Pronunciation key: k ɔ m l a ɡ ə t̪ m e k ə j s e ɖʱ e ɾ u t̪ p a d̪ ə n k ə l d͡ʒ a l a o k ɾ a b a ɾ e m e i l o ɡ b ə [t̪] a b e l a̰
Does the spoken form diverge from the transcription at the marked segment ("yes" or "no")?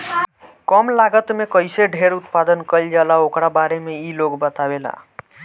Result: no